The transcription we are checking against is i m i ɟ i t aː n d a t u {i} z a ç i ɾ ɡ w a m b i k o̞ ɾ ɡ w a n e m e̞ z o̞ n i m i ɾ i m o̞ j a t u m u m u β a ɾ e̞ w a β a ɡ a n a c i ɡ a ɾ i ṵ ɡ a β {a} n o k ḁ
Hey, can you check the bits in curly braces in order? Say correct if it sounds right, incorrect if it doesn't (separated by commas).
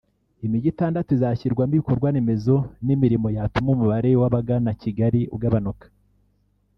correct, correct